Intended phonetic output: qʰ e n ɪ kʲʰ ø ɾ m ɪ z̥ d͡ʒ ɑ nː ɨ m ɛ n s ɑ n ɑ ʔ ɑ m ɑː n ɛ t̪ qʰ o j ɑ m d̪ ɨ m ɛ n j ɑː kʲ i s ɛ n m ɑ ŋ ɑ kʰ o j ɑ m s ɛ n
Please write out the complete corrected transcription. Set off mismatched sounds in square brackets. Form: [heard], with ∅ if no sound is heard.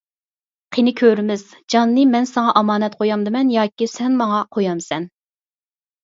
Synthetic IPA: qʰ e n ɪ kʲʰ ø ɾ m ɪ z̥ d͡ʒ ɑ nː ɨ m ɛ n s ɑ [ŋ] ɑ ʔ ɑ m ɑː n ɛ t̪ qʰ o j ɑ m d̪ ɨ m ɛ n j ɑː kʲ i s ɛ n m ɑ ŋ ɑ [qʰ] o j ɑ m s ɛ n